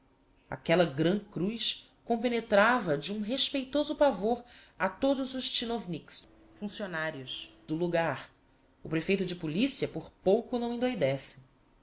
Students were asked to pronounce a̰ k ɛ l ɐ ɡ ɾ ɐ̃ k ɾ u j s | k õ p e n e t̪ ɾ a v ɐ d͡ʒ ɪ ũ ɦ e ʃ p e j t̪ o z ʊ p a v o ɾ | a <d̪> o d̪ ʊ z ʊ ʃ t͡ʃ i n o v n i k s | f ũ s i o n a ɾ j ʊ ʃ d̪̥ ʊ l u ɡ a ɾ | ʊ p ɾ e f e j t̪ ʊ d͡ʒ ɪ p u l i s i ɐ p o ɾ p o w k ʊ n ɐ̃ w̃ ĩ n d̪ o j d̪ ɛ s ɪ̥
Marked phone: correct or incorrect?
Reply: incorrect